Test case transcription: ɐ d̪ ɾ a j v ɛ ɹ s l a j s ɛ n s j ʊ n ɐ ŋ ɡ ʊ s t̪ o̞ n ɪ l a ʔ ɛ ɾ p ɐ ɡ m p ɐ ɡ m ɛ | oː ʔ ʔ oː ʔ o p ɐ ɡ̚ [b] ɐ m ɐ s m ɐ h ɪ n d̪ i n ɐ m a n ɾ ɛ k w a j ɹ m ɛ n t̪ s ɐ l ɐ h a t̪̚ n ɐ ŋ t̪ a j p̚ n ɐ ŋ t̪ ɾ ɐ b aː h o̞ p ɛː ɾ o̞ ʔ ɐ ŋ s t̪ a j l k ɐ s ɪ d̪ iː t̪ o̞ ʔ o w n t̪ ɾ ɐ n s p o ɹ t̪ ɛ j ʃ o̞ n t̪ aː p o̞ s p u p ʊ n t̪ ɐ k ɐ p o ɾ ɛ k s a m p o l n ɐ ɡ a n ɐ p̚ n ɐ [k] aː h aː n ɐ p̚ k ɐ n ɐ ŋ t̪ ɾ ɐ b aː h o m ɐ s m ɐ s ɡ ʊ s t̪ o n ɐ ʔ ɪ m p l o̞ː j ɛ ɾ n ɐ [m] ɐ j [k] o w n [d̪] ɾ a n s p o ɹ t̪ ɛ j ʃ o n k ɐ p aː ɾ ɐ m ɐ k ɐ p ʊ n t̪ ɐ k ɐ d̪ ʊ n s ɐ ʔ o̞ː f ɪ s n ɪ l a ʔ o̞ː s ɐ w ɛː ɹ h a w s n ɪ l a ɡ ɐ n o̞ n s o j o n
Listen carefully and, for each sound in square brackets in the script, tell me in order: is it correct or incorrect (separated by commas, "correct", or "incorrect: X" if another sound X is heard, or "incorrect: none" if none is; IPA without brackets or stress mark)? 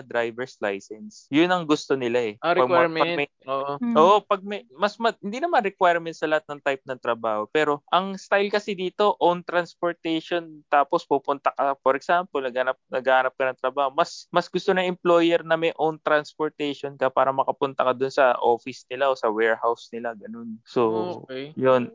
incorrect: m, incorrect: ɡ, correct, incorrect: ʔ, incorrect: t̪